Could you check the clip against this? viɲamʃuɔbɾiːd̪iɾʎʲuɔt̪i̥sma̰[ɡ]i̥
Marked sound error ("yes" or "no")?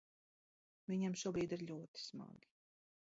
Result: no